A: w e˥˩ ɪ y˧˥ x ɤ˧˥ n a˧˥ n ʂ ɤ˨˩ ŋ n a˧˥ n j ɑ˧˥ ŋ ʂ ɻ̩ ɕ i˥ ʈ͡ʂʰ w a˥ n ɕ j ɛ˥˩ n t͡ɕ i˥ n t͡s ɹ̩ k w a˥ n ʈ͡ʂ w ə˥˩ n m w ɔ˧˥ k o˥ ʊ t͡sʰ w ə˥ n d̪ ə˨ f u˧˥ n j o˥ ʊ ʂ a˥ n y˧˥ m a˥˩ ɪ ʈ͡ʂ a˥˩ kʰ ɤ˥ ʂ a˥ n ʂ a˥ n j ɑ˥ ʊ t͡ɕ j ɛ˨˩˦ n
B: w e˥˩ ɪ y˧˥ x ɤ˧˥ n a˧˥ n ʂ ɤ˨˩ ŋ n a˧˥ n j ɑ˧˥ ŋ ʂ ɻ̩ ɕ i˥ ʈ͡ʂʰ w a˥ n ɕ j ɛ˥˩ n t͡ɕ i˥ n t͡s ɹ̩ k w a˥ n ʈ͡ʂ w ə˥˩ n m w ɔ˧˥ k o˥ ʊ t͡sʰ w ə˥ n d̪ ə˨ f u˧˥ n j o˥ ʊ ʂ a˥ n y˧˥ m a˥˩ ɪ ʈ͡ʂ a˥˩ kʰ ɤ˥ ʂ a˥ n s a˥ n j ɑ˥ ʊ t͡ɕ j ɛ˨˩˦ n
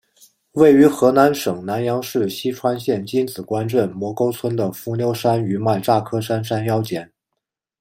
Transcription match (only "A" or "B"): A